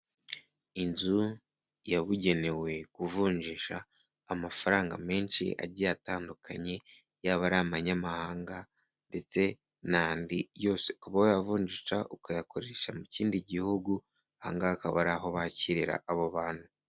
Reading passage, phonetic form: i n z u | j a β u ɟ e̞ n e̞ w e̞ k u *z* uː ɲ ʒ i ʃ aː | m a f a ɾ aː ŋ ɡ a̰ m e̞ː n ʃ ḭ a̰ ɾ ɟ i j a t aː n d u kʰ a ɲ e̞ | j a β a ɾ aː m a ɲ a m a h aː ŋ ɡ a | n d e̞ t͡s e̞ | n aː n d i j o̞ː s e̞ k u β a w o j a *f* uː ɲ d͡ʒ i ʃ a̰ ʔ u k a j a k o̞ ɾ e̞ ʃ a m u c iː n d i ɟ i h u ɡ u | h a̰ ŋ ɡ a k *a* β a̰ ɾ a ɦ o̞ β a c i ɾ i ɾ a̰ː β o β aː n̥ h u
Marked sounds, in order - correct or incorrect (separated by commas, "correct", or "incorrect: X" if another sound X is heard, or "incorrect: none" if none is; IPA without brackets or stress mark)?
incorrect: v, incorrect: v, correct